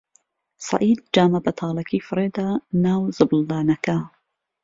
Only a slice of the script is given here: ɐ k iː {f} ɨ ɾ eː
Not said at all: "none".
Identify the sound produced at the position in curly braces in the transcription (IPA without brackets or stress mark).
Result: f